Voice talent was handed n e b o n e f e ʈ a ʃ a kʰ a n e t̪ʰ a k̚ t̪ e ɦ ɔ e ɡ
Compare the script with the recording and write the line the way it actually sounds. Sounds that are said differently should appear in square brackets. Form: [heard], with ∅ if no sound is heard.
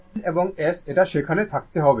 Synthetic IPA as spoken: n e b o [ŋ] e [s] e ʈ a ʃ [e] kʰ a n e t̪ʰ a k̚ t̪ e ɦ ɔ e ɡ